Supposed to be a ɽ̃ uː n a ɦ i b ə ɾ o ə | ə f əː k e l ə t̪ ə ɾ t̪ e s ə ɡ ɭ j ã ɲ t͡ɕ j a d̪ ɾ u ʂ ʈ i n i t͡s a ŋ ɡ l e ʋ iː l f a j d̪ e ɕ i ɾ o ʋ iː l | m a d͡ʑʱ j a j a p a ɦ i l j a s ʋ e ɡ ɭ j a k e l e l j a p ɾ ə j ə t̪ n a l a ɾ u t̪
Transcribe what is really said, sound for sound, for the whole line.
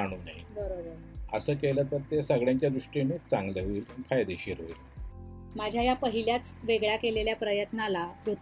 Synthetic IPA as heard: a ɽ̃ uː n a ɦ i b ə ɾ o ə | ə s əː k e l ə t̪ ə ɾ t̪ e s ə ɡ ɭ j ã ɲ t͡ɕ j a d̪ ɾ u ʂ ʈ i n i t͡s a ŋ ɡ l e ʋ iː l f a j d̪ e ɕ i ɾ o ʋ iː l | m a d͡ʑʱ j a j a p ə ɦ i l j a t͡s ʋ e ɡ ɭ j a k e l e l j a p ɾ ə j ə t̪ n a l a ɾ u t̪